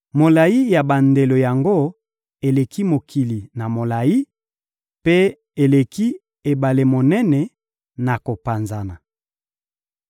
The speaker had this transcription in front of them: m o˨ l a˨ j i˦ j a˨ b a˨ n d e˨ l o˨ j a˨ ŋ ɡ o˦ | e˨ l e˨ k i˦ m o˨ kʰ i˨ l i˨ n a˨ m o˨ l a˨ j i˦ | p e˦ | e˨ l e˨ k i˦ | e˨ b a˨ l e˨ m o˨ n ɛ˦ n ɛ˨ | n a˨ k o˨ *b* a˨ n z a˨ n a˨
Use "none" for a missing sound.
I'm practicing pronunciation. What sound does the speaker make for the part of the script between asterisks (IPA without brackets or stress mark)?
p